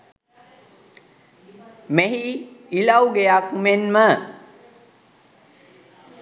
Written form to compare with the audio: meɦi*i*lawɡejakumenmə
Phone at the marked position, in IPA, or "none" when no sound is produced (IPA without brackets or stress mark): i